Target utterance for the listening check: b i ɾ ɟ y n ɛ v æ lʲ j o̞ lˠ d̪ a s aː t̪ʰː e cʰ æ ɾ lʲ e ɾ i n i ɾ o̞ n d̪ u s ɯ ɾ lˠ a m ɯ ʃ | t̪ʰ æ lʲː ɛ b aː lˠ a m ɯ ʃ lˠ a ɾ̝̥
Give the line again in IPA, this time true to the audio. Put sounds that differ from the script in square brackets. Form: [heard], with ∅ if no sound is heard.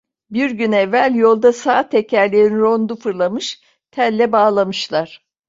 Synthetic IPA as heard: b i ɾ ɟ y n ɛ v æ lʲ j o̞ lˠ d̪ a s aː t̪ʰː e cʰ æ ɾ lʲ e ɾ i n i ɾ o̞ n d̪ u [f] ɯ ɾ lˠ a m ɯ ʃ | t̪ʰ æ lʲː ɛ b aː lˠ a m ɯ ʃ lˠ a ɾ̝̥